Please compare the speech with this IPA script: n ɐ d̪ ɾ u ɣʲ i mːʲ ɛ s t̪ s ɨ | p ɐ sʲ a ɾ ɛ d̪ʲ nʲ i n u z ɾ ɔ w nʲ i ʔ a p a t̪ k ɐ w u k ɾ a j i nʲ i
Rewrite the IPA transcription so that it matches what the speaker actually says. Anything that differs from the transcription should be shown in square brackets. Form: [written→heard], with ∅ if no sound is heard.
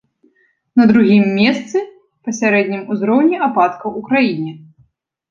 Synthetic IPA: n ɐ d̪ ɾ u ɣʲ i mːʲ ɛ s t̪ s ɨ | p ɐ sʲ a ɾ ɛ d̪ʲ nʲ i [n→m] u z ɾ ɔ w nʲ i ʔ a p a t̪ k ɐ w u k ɾ a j i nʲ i